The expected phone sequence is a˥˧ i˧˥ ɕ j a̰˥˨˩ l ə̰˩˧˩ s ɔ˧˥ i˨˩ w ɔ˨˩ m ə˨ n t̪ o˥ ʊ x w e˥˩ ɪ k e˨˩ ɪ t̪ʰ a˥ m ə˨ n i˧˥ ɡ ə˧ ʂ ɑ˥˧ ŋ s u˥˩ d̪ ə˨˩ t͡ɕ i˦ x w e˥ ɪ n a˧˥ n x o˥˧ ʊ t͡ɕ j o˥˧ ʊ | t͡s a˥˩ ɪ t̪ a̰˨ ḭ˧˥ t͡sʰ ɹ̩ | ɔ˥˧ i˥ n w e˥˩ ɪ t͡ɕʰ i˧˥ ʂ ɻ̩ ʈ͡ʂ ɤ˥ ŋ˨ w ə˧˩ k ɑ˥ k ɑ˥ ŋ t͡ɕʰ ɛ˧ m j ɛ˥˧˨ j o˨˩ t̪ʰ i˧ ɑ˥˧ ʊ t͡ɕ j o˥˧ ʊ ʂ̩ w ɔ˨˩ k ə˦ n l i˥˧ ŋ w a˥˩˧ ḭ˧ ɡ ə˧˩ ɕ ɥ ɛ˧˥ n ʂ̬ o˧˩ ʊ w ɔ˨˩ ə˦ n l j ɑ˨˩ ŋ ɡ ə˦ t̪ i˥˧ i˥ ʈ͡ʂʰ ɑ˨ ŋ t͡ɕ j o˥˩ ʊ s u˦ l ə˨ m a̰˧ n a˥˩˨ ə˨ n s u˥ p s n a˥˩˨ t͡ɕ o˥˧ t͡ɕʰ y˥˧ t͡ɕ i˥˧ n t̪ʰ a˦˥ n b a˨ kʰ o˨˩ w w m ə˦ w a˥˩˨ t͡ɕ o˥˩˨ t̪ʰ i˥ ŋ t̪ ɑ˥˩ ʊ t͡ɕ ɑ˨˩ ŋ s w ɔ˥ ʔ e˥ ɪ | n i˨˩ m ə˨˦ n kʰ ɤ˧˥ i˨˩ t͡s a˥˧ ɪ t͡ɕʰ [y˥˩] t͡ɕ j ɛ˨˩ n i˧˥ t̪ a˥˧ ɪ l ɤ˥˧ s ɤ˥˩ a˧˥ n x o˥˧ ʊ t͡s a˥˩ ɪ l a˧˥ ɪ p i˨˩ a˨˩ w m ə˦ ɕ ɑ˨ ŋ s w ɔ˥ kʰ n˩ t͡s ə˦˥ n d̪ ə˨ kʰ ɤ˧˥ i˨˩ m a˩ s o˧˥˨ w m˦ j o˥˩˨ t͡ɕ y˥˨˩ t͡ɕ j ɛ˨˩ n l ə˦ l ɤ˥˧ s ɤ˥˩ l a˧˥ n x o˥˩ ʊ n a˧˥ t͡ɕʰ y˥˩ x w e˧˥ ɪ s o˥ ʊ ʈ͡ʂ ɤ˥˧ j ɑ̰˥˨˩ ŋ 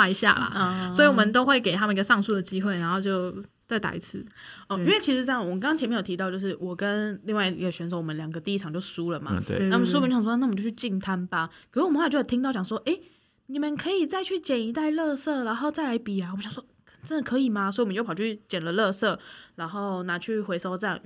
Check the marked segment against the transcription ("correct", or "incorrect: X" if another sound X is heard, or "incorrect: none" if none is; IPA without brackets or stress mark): correct